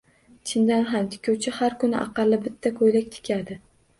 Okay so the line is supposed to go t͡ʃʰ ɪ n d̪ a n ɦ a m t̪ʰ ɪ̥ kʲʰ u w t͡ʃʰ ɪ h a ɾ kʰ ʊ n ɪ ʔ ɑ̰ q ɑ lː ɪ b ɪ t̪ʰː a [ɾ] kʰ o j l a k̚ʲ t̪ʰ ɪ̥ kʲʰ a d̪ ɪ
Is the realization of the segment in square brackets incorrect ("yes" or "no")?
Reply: yes